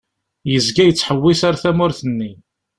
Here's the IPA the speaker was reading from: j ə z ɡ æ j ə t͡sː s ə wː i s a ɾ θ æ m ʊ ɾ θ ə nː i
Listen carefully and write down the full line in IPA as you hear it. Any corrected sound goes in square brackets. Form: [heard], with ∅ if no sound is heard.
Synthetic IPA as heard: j ə z ɡ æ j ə t͡sː [ħ] ə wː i s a ɾ θ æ m ʊ ɾ θ ə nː i